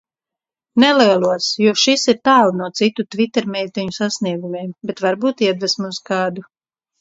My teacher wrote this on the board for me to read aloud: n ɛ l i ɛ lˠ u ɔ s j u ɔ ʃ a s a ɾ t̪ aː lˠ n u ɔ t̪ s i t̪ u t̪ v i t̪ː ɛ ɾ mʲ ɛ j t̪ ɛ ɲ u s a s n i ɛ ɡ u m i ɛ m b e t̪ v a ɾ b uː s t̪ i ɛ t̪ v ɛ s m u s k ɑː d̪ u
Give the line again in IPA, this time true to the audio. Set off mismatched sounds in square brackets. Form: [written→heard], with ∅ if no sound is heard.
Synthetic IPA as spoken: n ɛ l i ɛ lˠ u ɔ s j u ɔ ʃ [a→i] s [a→i] ɾ t̪ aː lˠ n u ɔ t̪ s i t̪ u t̪ v i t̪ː ɛ ɾ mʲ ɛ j t̪ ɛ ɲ u s a s n i ɛ ɡ u m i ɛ m b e t̪ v a ɾ b uː [s→∅] t̪ i ɛ [t̪→d̪] v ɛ s m u s k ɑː d̪ u